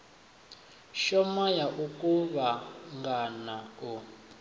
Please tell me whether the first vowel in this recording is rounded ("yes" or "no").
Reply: yes